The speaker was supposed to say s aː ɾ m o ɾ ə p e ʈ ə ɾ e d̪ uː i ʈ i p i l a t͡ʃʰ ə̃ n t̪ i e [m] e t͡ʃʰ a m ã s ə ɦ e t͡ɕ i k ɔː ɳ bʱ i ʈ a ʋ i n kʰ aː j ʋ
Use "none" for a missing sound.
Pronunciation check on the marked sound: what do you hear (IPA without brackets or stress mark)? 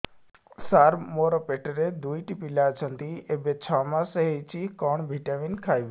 b